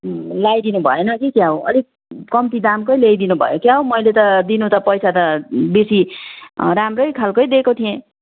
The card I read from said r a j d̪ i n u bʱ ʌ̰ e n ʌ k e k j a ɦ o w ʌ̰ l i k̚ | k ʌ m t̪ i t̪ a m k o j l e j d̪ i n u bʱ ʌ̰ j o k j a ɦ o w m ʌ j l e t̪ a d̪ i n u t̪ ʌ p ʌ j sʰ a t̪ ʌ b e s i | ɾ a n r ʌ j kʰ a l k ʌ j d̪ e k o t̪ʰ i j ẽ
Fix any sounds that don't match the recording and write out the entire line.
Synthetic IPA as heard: l a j d̪ i n u bʱ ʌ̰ e n ʌ k i k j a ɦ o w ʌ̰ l i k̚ | k ʌ m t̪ i d̪ a m k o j l e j d̪ i n u bʱ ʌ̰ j o k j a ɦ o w m ʌ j l e t̪ ʌ d̪ i n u t̪ ʌ p ʌ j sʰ a t̪ ʌ b e s i | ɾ a m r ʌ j kʰ a l k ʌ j d̪ e k o t̪ʰ i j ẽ